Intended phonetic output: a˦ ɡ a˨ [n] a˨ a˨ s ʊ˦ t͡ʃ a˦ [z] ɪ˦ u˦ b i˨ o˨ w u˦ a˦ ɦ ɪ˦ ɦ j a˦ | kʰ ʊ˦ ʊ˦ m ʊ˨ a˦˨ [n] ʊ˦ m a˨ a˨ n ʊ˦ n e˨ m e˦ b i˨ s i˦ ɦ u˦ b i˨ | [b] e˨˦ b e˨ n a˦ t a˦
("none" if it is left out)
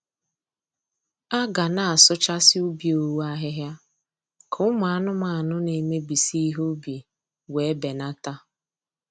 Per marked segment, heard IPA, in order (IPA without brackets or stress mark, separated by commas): n, s, n, w